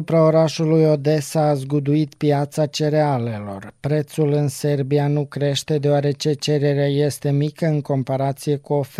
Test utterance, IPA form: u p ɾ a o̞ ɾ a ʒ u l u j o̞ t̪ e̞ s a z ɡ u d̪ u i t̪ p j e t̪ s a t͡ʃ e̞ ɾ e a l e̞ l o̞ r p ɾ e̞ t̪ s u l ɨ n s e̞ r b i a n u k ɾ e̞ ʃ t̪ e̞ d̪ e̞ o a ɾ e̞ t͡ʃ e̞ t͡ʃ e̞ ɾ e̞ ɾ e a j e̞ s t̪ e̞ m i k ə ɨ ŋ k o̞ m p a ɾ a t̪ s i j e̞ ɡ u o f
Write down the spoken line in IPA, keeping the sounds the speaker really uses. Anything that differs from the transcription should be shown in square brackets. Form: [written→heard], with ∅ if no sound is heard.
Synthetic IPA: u p ɾ a o̞ ɾ a [ʒ→ʃ] u l u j o̞ [t̪→d̪] e̞ s a z ɡ u d̪ u i t̪ p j [e→a] t̪ s a t͡ʃ e̞ ɾ e a l e̞ l o̞ r p ɾ e̞ t̪ s u l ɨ n s e̞ r b i a n u k ɾ e̞ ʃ t̪ e̞ d̪ e̞ o a ɾ e̞ t͡ʃ e̞ t͡ʃ e̞ ɾ e̞ ɾ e a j e̞ s t̪ e̞ m i k ə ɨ ŋ k o̞ m p a ɾ a t̪ s i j e̞ [ɡ→k] u o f